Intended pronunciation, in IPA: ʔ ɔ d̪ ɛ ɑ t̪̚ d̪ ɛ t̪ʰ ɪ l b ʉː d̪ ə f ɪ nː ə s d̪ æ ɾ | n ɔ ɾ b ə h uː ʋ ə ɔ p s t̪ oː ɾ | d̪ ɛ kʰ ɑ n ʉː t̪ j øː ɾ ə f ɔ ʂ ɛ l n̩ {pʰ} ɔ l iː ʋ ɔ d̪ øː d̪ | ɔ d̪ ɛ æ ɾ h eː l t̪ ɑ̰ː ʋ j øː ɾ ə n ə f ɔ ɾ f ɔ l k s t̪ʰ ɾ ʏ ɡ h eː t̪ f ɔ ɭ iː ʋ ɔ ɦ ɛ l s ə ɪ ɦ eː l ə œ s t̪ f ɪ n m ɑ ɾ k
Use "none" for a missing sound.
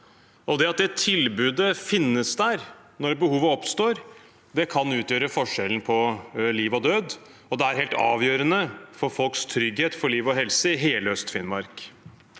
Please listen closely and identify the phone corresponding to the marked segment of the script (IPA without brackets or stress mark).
pʰ